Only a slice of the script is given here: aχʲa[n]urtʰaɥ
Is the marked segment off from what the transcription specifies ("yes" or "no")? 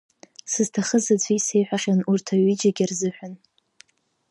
no